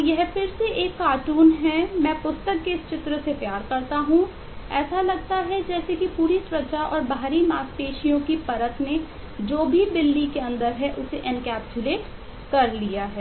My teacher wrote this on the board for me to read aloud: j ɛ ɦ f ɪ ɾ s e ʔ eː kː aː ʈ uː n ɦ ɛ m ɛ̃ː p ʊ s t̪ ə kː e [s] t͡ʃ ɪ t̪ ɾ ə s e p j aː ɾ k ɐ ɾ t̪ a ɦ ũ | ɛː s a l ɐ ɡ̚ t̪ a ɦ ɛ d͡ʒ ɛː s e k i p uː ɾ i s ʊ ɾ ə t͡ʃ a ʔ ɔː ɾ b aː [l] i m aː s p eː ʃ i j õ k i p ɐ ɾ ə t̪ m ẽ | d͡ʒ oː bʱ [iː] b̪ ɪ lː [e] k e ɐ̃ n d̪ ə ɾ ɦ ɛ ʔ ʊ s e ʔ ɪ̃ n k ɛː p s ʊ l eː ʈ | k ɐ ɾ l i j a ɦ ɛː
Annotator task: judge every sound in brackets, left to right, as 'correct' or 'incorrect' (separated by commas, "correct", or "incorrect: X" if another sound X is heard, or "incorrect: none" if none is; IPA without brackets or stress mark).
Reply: correct, incorrect: ɾ, incorrect: i, incorrect: i